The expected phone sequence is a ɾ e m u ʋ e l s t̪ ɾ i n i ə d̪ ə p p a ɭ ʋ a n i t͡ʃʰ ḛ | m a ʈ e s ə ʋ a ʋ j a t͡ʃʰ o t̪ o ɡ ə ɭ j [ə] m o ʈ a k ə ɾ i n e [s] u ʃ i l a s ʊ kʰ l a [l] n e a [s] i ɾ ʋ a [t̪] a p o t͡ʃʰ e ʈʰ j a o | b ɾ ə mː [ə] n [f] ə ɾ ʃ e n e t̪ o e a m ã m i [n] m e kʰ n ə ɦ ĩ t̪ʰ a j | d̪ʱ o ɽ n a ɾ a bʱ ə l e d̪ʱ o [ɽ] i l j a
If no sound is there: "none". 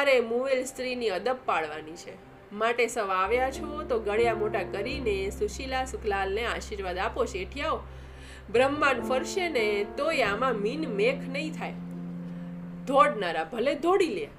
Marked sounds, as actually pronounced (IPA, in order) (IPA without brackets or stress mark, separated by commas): a, s, l, ʃ, d̪, a, f, n, ɽ